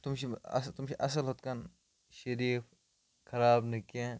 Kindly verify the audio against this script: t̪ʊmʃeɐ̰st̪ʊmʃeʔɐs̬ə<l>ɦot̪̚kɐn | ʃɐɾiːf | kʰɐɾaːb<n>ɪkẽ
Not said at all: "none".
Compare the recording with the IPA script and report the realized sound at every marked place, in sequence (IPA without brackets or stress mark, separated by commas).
l, n